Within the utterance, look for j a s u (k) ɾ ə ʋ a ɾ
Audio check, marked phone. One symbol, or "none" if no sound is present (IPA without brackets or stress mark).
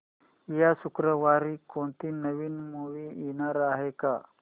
k